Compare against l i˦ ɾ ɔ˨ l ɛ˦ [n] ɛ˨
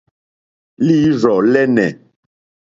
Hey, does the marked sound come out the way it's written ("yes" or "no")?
yes